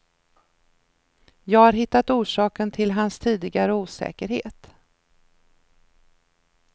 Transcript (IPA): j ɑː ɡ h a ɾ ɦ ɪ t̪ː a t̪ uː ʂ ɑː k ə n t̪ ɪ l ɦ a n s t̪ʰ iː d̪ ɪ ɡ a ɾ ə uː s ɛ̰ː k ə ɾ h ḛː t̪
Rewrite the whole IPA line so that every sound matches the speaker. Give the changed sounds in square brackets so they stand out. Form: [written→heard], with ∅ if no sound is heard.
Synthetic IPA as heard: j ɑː ɡ h a ɾ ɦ ɪ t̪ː a t̪ uː ʂ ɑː k ə n [t̪→t̪ʰ] ɪ l ɦ a n s t̪ʰ iː d̪ ɪ ɡ a ɾ ə uː s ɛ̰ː k ə ɾ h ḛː t̪